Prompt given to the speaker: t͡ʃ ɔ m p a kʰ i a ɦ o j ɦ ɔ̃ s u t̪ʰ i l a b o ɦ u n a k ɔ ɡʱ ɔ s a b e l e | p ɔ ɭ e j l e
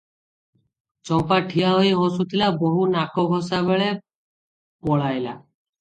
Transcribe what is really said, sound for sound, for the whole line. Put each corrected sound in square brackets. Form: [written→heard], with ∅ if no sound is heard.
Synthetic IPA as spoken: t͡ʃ ɔ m p a [kʰ→ʈʰ] i a ɦ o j ɦ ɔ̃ s u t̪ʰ i l a b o ɦ u n a k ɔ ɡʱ ɔ s a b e [l→ɭ] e | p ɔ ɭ [e→a] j l [e→a]